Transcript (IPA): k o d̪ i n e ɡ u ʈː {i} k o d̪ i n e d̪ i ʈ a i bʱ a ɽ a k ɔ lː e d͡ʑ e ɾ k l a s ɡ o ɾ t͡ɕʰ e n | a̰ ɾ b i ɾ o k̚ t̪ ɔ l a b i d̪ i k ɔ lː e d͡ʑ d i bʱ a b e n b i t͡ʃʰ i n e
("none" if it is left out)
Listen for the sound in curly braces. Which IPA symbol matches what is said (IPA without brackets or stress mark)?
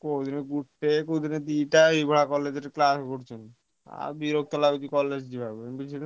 e